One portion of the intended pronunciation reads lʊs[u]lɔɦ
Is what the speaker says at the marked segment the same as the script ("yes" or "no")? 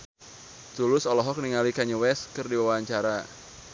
no